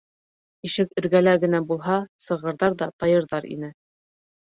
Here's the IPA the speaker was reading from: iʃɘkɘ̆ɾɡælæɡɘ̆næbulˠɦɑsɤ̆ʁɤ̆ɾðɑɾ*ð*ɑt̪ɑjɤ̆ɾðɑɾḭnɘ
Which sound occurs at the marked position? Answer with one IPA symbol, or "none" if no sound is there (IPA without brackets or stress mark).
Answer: ð